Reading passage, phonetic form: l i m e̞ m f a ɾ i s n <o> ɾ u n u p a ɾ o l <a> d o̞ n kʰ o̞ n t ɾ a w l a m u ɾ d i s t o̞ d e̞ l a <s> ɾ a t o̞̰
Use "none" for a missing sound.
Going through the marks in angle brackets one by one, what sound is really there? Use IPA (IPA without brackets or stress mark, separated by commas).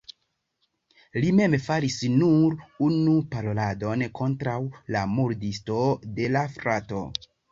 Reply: u, a, f